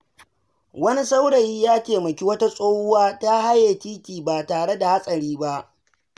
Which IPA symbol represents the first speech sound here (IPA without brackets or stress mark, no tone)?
w